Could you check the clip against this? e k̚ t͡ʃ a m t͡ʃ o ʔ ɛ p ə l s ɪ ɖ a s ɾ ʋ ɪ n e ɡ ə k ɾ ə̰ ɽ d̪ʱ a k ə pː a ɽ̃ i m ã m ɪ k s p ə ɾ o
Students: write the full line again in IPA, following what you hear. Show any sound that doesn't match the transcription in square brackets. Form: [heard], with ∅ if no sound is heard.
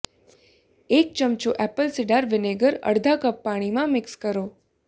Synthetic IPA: e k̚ t͡ʃ [ə] m t͡ʃ o ʔ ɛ p ə l s ɪ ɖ a [∅] ɾ ʋ ɪ n e ɡ ə [∅] ɾ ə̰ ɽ d̪ʱ a k ə pː a ɽ̃ i m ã m ɪ k s [k] ə ɾ o